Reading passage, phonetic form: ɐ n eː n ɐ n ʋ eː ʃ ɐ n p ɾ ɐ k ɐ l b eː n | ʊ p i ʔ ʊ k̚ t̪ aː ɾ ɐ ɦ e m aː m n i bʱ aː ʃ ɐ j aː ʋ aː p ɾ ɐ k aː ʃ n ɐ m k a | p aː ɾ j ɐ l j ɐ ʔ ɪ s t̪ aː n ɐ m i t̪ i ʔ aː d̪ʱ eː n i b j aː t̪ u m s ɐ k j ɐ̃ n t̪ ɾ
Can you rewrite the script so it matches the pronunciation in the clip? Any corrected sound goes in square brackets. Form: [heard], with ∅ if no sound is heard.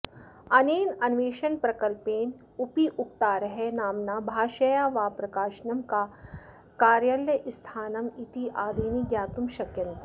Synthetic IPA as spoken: ɐ n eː n ɐ n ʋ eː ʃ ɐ n p ɾ ɐ k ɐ l [p] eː n | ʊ p i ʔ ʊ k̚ t̪ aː ɾ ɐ ɦ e [n] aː m n [a] bʱ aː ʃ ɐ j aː ʋ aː p ɾ ɐ k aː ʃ n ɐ m k a | [k] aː ɾ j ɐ l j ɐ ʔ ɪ s [t̪ʰ] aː n ɐ m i t̪ i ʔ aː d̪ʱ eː n i [ɡ] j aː t̪ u m [ʃ] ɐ k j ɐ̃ n t̪ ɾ

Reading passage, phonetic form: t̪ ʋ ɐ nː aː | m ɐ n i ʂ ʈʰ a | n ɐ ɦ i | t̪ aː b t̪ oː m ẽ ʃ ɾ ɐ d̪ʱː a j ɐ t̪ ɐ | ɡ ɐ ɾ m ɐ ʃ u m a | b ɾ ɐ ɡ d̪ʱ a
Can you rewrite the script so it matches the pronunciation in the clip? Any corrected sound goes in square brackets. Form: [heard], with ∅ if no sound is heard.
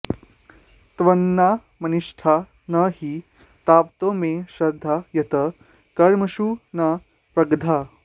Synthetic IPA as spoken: t̪ ʋ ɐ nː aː | m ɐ n i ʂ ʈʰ a | n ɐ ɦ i | t̪ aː [p] t̪ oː m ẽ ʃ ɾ ɐ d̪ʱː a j ɐ t̪ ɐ | [k] ɐ ɾ m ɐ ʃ u [n] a | [p] ɾ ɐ ɡ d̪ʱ a

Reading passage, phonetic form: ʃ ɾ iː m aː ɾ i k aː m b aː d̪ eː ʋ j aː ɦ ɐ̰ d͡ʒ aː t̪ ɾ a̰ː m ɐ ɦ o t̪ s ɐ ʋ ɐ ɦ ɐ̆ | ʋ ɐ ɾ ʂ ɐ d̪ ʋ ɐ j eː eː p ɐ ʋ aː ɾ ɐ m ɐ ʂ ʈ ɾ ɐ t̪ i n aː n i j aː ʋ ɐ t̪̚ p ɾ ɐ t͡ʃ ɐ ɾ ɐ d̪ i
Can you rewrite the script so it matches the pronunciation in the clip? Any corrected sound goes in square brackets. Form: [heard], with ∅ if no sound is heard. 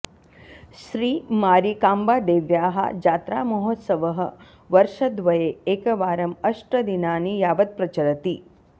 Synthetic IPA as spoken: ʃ ɾ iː m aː ɾ i k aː m b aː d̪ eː ʋ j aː ɦ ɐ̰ d͡ʒ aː t̪ ɾ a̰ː m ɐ ɦ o t̪ s ɐ ʋ ɐ ɦ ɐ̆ | ʋ ɐ ɾ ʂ ɐ d̪ ʋ ɐ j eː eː [k] ɐ ʋ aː ɾ ɐ m ɐ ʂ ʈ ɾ ɐ [d̪] i n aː n i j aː ʋ ɐ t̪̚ p ɾ ɐ t͡ʃ ɐ ɾ ɐ [t̪] i

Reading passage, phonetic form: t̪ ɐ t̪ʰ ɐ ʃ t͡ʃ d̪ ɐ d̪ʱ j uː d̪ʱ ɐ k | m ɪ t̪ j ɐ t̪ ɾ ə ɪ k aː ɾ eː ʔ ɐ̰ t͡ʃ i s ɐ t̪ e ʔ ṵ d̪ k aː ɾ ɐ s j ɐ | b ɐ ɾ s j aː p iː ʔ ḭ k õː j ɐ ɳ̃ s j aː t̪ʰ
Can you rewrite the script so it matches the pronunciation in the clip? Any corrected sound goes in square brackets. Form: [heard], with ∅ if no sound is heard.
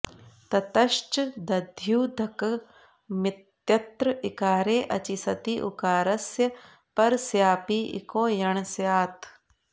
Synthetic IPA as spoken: t̪ ɐ [t̪] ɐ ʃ t͡ʃ d̪ ɐ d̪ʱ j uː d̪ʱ ɐ k | m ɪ t̪ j ɐ t̪ ɾ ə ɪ k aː ɾ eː ʔ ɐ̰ t͡ʃ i s ɐ t̪ [i] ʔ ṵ [∅] k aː ɾ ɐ s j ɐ | [p] ɐ ɾ s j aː p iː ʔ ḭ k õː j ɐ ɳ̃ s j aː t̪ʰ

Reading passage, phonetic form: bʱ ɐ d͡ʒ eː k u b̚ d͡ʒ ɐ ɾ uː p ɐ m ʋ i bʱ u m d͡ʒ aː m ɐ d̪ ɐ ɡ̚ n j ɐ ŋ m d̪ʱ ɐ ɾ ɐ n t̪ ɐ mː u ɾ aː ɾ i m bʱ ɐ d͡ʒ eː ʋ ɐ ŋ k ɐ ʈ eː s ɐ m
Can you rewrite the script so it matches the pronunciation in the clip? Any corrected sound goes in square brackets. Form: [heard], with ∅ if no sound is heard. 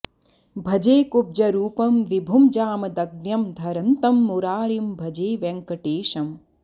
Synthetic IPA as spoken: bʱ ɐ d͡ʒ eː k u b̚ d͡ʒ ɐ ɾ uː p ɐ m ʋ i bʱ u m d͡ʒ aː m ɐ d̪ ɐ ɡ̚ n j ɐ [∅] m d̪ʱ ɐ ɾ ɐ n t̪ ɐ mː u ɾ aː ɾ i m bʱ ɐ d͡ʒ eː ʋ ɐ ŋ k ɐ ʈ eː [ʃ] ɐ m

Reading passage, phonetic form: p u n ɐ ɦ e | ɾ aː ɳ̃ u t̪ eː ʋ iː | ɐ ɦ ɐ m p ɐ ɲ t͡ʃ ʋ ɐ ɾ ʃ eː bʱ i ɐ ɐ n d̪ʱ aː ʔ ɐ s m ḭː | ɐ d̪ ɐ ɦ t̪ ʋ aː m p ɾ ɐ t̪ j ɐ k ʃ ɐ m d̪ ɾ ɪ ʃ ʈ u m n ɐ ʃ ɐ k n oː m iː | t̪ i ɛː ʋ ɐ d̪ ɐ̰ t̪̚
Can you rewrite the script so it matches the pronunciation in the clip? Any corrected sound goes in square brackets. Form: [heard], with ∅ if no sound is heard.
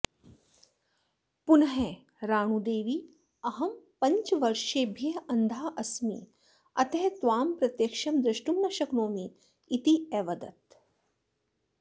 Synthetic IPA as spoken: p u n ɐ ɦ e | ɾ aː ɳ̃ u [d̪] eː ʋ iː | ɐ ɦ ɐ m p ɐ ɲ t͡ʃ ʋ ɐ ɾ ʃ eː bʱ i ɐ ɐ n d̪ʱ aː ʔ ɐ s m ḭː | ɐ [t̪] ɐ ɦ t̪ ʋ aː m p ɾ ɐ t̪ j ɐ k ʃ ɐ m d̪ ɾ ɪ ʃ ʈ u m n ɐ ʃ ɐ k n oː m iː | t̪ i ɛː ʋ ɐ d̪ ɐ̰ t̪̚

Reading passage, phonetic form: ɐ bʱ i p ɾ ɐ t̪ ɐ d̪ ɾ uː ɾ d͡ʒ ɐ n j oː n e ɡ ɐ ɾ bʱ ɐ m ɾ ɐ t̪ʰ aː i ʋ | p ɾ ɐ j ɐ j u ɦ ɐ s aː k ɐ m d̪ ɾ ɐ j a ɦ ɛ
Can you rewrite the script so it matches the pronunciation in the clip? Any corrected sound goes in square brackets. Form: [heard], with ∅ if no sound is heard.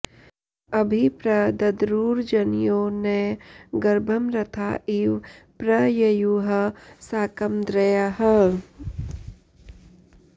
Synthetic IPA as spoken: ɐ bʱ i p ɾ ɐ [d̪] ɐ d̪ ɾ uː ɾ d͡ʒ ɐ n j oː n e ɡ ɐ ɾ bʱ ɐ m ɾ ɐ t̪ʰ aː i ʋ | p ɾ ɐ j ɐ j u ɦ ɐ s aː k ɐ m d̪ ɾ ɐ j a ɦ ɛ

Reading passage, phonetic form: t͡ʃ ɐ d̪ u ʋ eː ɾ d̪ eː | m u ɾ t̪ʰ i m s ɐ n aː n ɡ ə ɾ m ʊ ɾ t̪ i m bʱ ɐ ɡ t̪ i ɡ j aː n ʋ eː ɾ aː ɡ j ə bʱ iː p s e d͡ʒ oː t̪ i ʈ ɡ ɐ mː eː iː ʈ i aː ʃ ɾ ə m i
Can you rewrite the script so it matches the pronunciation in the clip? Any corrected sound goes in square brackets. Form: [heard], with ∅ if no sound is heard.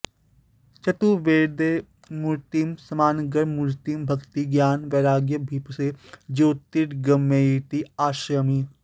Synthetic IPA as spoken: t͡ʃ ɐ [t̪] u ʋ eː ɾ d̪ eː | m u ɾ [t̪] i m s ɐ [m] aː n ɡ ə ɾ m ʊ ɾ t̪ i m bʱ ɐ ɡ t̪ i ɡ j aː n ʋ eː ɾ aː ɡ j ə bʱ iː p s e d͡ʒ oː t̪ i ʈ ɡ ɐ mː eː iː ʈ i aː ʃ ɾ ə m i

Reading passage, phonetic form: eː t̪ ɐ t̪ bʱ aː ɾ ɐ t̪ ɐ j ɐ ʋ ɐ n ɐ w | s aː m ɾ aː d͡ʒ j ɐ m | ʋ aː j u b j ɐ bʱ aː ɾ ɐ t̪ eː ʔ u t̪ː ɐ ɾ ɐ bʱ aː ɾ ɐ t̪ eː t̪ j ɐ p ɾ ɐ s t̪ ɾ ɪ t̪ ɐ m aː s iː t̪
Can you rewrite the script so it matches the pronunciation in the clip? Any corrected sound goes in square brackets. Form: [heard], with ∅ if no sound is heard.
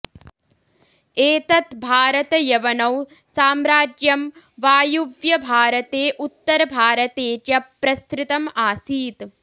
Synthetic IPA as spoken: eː t̪ ɐ t̪ bʱ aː ɾ ɐ t̪ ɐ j ɐ ʋ ɐ n ɐ w | s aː m ɾ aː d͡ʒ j ɐ m | ʋ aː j u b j ɐ bʱ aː ɾ ɐ t̪ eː ʔ u t̪ː ɐ ɾ ɐ bʱ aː ɾ ɐ t̪ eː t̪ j ɐ p ɾ ɐ s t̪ ɾ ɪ t̪ ɐ m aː s iː t̪

